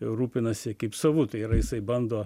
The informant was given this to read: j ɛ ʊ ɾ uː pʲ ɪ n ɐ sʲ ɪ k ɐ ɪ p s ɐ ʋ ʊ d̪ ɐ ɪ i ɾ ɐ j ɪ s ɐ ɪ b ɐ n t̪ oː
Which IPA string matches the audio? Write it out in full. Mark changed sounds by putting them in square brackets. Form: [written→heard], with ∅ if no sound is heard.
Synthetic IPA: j ɛ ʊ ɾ uː pʲ ɪ n ɐ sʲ ɪ k ɐ ɪ p s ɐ ʋ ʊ [d̪→t̪] ɐ ɪ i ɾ ɐ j ɪ s ɐ ɪ b ɐ n [t̪→d̪] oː